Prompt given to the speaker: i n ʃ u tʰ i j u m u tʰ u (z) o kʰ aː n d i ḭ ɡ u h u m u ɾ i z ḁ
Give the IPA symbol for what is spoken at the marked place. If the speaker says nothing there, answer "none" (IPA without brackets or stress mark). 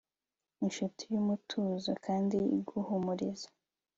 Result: z